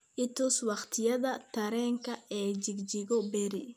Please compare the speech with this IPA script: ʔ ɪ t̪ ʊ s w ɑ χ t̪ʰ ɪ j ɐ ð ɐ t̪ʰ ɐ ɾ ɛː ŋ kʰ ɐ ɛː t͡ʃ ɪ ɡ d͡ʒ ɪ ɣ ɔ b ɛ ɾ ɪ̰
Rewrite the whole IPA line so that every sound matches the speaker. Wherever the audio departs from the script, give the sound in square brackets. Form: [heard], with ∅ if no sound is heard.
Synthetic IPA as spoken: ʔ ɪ t̪ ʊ s w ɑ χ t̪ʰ ɪ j ɐ ð ɐ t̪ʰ ɐ ɾ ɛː ŋ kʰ ɐ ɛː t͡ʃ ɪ ɡ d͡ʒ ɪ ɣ ɔ b ɛ ɾ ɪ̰

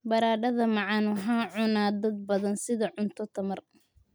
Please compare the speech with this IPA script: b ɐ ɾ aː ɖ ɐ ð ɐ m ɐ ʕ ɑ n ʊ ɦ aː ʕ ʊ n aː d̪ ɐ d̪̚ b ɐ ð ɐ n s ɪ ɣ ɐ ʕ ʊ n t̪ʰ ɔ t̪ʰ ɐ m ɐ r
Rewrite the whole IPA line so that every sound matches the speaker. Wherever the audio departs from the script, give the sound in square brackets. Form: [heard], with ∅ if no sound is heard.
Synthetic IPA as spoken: b ɐ ɾ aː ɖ ɐ ð ɐ m [ɑ] ʕ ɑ n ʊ ɦ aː ʕ ʊ n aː d̪ ɐ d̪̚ b ɐ ð ɐ n s ɪ [ð] ɐ ʕ ʊ n t̪ʰ ɔ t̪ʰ ɐ m ɐ r

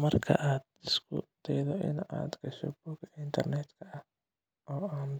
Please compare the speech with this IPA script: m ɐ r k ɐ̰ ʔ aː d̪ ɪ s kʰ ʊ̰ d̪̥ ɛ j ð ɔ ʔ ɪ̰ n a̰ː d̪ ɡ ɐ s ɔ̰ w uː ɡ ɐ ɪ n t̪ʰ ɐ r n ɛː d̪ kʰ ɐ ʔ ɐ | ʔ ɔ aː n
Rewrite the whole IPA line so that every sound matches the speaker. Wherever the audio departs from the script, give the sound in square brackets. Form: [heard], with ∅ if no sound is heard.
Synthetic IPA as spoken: m ɐ r [kʰ] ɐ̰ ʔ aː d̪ ɪ s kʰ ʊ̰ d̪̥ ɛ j ð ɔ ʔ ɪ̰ n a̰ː d̪ ɡ ɐ [ʃ] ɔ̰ [b] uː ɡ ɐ ɪ n t̪ʰ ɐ r n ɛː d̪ kʰ ɐ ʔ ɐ | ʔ [ɔː] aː n

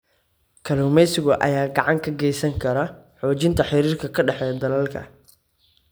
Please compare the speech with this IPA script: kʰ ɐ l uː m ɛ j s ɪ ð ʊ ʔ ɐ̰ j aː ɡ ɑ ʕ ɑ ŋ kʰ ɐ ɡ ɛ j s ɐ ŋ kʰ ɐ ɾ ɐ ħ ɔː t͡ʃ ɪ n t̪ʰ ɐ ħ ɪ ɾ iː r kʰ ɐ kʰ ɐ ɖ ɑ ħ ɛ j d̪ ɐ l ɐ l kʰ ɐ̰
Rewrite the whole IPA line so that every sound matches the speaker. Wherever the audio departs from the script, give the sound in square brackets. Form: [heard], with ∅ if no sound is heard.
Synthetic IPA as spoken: kʰ ɐ l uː m ɛ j s ɪ [ɣ] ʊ ʔ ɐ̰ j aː ɡ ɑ ʕ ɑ ŋ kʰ ɐ ɡ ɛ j s ɐ ŋ kʰ ɐ ɾ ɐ ħ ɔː t͡ʃ ɪ n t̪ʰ ɐ ħ ɪ ɾ iː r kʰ ɐ kʰ ɐ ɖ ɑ ħ ɛ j d̪ ɐ l ɐ l kʰ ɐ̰

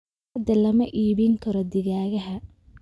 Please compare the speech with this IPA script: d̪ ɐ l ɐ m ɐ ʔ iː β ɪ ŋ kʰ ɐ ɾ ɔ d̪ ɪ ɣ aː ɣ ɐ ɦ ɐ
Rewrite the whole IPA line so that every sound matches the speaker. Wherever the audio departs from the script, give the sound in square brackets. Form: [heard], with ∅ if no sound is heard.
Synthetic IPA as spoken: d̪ ɐ l ɐ m ɐ ʔ iː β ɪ ŋ kʰ ɐ ɾ ɔ d̪ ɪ ɣ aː ɣ ɐ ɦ ɐ

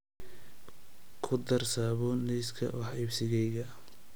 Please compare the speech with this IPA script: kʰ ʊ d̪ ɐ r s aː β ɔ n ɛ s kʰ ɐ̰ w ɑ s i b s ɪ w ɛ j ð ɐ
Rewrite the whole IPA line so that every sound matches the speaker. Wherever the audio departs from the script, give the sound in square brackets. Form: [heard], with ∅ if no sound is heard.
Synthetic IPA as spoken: kʰ ʊ d̪ ɐ r s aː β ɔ n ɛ s kʰ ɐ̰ w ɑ [ħ] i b s ɪ [ɣ] ɛ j [ɣ] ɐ

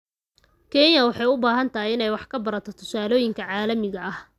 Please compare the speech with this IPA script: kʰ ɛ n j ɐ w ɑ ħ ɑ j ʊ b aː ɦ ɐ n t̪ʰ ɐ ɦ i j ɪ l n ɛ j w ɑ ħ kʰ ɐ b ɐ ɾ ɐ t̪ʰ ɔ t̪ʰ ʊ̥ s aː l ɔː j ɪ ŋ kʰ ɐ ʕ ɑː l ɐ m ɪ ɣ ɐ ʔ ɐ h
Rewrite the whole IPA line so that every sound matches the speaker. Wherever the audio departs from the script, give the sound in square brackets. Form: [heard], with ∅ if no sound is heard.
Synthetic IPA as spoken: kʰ ɛ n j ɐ w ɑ ħ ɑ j ʊ b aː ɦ ɐ n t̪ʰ ɐ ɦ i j ɪ [∅] n ɛ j w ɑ ħ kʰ ɐ b ɐ ɾ ɐ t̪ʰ ɔ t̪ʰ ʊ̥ s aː l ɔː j ɪ ŋ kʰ ɐ ʕ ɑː l ɐ m ɪ ɣ ɐ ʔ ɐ h

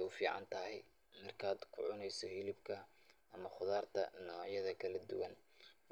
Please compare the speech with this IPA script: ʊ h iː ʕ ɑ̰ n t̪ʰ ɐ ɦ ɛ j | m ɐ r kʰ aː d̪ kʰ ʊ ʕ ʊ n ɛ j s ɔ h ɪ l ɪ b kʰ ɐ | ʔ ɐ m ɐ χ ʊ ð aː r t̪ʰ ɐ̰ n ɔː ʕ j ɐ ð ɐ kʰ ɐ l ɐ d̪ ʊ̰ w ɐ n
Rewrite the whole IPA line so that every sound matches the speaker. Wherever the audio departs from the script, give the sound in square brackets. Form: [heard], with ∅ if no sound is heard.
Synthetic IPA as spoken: ʊ [f] iː ʕ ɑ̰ n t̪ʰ ɐ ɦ ɛ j | m ɐ r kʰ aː d̪ kʰ ʊ ʕ ʊ n ɛ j s ɔ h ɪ l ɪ b kʰ ɐ | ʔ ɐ m ɐ χ ʊ ð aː r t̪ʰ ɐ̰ n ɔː ʕ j ɐ ð ɐ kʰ ɐ l ɐ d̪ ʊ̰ w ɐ n

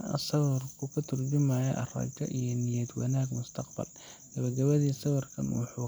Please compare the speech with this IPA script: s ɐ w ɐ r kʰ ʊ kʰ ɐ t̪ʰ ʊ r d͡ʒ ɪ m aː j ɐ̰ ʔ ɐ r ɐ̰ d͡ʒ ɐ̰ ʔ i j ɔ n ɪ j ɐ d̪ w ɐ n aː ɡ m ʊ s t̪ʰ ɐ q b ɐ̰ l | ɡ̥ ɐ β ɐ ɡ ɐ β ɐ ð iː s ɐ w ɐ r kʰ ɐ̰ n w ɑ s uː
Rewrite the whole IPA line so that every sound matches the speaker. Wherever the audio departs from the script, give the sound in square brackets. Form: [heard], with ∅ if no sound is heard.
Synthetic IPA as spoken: s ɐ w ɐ r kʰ ʊ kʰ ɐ t̪ʰ ʊ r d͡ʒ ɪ m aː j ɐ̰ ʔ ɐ r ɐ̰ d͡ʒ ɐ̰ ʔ i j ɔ n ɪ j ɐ d̪ w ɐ n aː ɡ m ʊ s t̪ʰ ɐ q b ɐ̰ l | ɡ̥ ɐ β ɐ ɡ ɐ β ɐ ð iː s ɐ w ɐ r kʰ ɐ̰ n w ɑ [ħ] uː

